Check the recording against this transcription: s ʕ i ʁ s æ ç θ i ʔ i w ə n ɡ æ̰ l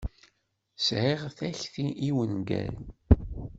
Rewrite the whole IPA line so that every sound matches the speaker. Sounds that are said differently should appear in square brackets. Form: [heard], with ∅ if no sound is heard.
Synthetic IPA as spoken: s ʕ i ʁ [θ] æ ç θ i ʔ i w ə n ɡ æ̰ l